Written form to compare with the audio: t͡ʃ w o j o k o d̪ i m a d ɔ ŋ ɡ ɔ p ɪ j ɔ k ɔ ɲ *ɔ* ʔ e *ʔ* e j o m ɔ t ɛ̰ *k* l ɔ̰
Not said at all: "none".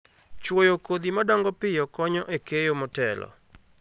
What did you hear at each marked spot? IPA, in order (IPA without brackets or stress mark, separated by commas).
ɔ, k, none